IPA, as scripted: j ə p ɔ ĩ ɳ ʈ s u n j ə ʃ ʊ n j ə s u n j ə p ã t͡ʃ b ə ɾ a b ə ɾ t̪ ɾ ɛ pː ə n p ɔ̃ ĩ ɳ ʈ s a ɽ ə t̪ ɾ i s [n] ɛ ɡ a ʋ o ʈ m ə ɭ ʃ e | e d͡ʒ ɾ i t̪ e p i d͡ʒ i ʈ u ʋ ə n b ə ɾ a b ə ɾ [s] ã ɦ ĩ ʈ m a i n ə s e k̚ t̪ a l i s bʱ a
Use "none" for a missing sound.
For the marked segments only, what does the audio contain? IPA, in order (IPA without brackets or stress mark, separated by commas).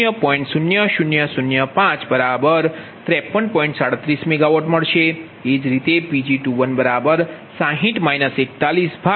m, s